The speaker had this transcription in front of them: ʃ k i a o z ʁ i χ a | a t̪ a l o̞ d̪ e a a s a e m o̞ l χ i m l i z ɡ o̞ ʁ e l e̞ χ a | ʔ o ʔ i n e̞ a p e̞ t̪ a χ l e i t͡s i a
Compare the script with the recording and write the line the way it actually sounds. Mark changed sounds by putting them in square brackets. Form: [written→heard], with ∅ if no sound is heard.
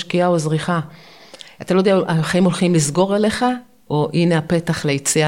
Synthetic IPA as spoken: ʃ k i a o z ʁ i χ a | a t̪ a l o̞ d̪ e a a [s→χ] a [e→i] m o̞ l χ i m l i z ɡ o̞ ʁ e l e̞ χ a | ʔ o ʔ i n e̞ a p e̞ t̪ a χ l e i t͡s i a